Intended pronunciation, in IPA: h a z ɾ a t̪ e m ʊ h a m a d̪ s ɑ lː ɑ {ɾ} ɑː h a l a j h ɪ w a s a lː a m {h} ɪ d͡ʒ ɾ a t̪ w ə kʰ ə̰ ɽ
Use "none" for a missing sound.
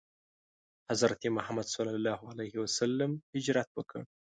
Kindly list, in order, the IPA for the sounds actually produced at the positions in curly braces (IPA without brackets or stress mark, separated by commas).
l, h